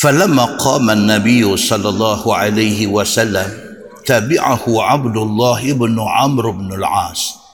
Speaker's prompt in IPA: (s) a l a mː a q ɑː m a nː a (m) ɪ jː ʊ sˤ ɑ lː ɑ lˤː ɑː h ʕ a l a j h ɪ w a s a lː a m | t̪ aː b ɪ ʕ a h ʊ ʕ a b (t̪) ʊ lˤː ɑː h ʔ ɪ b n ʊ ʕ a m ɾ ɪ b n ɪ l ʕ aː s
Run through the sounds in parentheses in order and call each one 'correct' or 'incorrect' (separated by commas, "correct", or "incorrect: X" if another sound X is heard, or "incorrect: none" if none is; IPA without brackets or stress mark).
incorrect: f, incorrect: b, incorrect: d̪